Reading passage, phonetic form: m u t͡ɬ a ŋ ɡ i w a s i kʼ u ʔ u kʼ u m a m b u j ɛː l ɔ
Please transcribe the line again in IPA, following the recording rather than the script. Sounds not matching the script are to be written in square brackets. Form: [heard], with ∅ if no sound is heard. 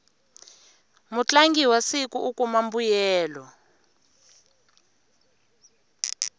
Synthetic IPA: m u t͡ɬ a ŋ ɡ i w a s i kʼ u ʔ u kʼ u m a m b u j ɛː l ɔ